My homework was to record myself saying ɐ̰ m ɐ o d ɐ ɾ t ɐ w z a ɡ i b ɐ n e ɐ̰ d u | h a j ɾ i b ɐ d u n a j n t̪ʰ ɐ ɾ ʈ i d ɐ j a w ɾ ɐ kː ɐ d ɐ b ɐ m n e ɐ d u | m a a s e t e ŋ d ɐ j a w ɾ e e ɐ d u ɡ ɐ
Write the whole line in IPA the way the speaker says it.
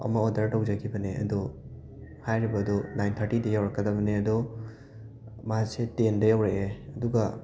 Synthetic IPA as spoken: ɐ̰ m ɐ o d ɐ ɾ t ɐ w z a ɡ i b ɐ n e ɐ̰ d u | h a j ɾ i b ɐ d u n a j n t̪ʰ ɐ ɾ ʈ i d ɐ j a w ɾ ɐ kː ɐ d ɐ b ɐ n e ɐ d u | m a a s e t e n d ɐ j a w ɾ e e ɐ d u ɡ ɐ